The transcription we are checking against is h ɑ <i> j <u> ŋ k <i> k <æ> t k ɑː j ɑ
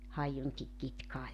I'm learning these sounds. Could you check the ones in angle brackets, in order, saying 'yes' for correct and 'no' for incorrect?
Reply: yes, yes, yes, no

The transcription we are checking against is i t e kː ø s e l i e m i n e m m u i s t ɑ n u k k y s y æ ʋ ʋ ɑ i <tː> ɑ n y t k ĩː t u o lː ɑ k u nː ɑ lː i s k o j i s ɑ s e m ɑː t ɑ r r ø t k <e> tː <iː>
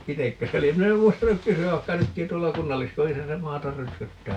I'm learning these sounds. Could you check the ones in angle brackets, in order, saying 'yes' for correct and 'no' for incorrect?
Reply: no, no, no

